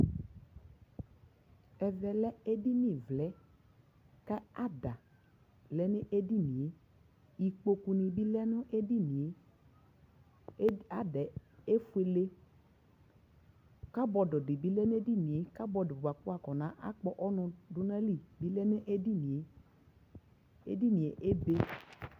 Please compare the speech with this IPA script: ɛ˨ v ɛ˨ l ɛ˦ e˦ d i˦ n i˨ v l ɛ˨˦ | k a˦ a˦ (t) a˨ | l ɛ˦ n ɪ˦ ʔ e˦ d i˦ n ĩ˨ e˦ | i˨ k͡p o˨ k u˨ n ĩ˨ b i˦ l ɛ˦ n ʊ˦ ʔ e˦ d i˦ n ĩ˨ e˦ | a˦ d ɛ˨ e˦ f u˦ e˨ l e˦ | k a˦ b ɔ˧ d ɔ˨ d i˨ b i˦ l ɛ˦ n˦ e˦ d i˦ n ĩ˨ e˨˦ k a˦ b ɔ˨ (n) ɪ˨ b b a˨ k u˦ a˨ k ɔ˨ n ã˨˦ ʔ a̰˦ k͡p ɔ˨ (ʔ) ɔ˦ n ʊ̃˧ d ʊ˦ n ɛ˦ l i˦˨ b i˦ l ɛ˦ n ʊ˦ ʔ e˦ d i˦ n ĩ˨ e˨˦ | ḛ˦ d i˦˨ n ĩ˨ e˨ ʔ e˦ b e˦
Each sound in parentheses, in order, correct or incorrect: incorrect: d, incorrect: d, correct

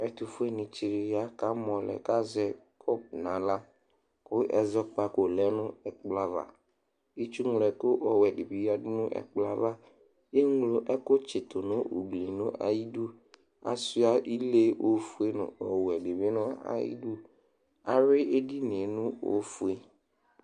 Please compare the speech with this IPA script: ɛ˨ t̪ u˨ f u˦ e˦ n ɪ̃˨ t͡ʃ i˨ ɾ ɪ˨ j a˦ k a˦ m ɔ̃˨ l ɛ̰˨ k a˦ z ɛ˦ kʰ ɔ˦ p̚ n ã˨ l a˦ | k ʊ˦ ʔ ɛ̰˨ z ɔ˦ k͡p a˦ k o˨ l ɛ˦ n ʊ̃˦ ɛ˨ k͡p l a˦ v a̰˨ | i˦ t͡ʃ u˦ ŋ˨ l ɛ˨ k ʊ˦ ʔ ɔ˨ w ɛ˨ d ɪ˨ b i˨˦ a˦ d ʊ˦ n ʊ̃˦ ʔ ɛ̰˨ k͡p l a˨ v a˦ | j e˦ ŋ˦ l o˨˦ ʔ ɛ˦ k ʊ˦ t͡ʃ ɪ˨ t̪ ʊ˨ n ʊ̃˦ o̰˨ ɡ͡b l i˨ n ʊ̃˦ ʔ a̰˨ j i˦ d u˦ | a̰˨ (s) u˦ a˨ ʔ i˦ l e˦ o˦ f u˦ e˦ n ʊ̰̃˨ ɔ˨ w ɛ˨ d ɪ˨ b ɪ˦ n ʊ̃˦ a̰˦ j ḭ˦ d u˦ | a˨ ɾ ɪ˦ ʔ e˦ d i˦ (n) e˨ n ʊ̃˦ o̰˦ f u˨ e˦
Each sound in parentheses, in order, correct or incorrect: correct, correct

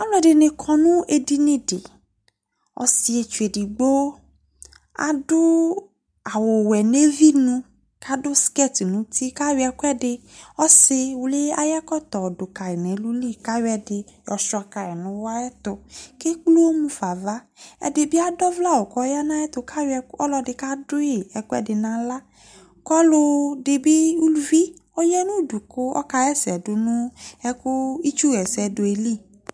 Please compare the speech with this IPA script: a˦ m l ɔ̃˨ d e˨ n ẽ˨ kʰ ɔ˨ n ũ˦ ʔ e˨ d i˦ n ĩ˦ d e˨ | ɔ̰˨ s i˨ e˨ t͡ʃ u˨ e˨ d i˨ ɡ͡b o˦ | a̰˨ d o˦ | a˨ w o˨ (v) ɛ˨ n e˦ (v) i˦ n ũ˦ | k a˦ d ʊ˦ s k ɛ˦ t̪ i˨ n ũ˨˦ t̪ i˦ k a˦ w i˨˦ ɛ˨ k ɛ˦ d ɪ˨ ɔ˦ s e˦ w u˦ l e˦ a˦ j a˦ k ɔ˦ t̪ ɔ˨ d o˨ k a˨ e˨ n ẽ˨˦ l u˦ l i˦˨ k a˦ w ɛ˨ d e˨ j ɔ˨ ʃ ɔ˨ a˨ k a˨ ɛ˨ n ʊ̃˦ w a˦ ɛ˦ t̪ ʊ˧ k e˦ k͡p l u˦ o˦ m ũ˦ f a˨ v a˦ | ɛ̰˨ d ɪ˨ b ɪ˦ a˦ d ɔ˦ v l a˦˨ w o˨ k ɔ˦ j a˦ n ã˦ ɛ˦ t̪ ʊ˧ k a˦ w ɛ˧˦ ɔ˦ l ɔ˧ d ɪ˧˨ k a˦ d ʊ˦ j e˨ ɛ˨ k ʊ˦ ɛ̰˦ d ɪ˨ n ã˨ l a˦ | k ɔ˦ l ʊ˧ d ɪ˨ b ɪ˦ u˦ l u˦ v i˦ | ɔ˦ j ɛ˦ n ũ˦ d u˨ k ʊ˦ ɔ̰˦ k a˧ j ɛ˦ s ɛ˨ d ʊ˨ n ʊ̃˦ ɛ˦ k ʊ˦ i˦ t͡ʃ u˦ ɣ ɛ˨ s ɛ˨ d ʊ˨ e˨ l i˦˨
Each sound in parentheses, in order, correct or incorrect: incorrect: w, correct

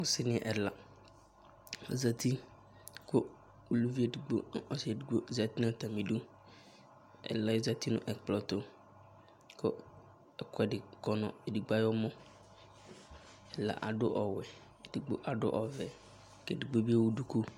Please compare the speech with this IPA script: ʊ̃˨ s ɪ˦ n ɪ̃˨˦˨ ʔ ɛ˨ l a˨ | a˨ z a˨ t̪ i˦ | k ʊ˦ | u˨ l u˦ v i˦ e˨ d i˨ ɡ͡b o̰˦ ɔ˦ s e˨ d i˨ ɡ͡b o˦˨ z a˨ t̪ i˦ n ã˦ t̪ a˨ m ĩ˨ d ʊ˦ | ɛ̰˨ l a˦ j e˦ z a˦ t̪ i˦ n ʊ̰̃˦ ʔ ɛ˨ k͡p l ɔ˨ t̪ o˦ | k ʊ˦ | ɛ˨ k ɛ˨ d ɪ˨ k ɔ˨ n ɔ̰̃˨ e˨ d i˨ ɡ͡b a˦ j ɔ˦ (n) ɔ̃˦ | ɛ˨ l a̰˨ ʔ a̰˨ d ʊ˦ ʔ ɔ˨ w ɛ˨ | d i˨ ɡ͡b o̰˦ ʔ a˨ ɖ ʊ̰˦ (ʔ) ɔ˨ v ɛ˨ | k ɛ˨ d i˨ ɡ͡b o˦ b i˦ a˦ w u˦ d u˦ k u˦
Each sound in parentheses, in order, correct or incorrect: incorrect: m, correct

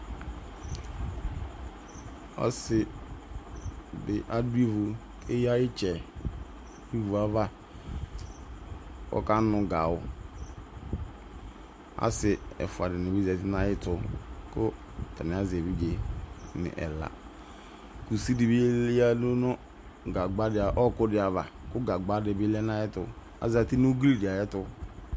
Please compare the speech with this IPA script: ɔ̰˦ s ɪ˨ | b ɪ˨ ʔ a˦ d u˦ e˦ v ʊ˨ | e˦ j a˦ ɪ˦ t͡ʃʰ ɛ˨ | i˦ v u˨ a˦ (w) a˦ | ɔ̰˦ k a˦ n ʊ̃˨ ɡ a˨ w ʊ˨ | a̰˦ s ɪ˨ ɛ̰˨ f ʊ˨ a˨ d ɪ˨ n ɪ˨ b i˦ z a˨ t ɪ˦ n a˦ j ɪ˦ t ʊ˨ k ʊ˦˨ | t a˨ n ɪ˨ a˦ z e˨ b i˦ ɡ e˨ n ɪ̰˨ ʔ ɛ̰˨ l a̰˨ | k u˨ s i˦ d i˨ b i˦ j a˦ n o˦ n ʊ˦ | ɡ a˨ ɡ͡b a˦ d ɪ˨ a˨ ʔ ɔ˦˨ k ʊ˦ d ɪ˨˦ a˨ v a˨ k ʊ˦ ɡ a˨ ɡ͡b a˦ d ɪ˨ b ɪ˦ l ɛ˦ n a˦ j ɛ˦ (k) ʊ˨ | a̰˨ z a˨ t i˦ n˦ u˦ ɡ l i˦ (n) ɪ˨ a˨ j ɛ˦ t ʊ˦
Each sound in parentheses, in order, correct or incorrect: incorrect: v, incorrect: t, incorrect: d

